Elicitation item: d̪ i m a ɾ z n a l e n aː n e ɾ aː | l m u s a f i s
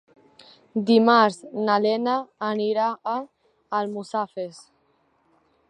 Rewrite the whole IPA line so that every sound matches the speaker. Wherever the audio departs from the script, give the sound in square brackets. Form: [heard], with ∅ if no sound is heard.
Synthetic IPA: d̪ i m a ɾ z n a l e n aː n [i] ɾ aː | l m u s a f [e] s